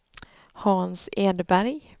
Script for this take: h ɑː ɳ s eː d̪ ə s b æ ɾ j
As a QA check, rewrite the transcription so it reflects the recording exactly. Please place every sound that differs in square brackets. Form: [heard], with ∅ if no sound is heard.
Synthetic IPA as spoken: h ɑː [n] s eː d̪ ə [∅] b æ ɾ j

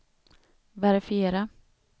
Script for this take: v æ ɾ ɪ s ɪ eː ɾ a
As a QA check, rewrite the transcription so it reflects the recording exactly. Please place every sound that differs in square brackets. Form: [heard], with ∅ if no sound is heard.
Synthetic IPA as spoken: v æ ɾ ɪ [f] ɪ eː ɾ a

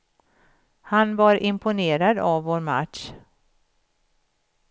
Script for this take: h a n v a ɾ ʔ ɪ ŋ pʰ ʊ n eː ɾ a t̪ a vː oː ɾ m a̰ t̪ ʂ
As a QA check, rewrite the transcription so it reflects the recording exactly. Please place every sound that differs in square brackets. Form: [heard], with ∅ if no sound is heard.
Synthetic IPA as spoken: h a n v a ɾ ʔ ɪ [m] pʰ ʊ n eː ɾ a [d̪] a vː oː ɾ m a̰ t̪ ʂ

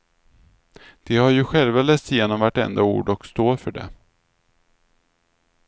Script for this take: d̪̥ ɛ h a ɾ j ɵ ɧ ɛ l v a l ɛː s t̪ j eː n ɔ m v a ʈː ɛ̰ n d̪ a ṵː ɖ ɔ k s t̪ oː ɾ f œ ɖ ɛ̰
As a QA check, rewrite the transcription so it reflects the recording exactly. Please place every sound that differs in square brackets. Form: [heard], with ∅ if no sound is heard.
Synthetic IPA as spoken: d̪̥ ɛ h a ɾ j ɵ ɧ ɛ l v a l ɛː s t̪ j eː n ɔ m v a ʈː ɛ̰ n d̪ a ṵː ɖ ɔ k s t̪ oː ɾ f œ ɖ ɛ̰

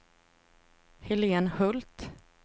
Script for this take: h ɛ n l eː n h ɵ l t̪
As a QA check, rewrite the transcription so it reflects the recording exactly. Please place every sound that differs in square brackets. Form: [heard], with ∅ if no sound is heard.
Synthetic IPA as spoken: h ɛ [∅] l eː n h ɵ l t̪

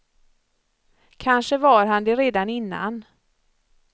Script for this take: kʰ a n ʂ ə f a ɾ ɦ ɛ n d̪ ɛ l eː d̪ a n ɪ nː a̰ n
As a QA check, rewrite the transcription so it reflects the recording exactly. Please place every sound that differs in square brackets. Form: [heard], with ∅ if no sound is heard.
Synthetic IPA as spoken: kʰ a n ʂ ə [v] a ɾ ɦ [a] n d̪ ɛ [ɾ] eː d̪ a n ɪ nː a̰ n

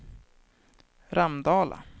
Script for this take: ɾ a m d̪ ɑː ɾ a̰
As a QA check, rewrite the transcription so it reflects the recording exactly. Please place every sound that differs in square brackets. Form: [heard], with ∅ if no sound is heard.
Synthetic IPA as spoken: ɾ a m d̪ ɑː [l] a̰

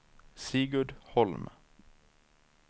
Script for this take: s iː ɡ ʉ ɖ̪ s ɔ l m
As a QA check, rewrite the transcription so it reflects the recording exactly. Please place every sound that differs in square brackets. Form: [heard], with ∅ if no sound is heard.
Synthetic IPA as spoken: s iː ɡ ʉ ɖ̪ [h] ɔ l m

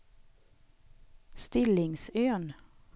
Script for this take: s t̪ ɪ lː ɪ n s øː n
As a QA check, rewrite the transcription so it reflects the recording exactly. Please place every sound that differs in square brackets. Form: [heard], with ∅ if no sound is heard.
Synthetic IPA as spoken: s t̪ ɪ [l] ɪ [ŋ] s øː n

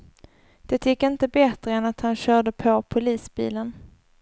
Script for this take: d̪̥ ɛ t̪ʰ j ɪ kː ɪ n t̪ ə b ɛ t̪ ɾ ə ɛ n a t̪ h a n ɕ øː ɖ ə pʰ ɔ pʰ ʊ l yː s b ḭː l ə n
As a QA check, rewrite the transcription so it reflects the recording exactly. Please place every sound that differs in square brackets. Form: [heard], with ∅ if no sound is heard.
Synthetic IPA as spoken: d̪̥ ɛ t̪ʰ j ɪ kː ɪ n t̪ ə b ɛ t̪ ɾ ə ɛ n a t̪ h a n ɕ [œː] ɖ ə pʰ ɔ pʰ ʊ l [iː] s b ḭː l ə n

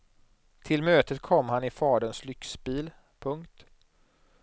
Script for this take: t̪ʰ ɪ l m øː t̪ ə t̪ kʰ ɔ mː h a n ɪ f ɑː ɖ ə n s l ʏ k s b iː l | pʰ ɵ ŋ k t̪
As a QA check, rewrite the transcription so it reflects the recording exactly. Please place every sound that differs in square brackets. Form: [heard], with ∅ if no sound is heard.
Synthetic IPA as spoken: t̪ʰ ɪ l m øː t̪ ə t̪ kʰ ɔ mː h a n ɪ f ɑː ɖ ə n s l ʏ k s b iː l | pʰ ɵ ŋ k t̪

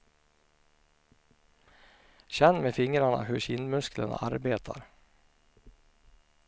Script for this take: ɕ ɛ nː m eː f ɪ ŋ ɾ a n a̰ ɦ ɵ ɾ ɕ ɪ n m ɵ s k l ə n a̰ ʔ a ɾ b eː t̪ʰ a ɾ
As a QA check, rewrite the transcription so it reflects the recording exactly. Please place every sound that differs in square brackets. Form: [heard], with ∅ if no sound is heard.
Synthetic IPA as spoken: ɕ ɛ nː m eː f ɪ ŋ ɾ a [ɳ] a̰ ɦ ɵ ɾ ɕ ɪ n m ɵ s k l ə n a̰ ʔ a ɾ b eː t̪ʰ a ɾ

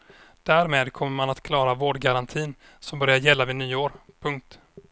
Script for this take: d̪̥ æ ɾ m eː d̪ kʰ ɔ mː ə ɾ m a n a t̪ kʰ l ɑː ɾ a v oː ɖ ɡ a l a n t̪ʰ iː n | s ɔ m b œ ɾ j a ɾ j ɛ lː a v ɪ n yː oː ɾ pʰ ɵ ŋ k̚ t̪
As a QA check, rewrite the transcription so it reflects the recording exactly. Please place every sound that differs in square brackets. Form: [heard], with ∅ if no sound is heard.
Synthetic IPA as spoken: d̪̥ æ ɾ m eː d̪ kʰ ɔ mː ə ɾ m a n a t̪ kʰ l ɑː ɾ a v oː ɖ ɡ a [ɾ] a n t̪ʰ iː n | s ɔ m b œ ɾ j a ɾ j ɛ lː a v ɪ n yː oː ɾ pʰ ɵ ŋ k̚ t̪

